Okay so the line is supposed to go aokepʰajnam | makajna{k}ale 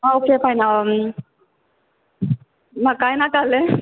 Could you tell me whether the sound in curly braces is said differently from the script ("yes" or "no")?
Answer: no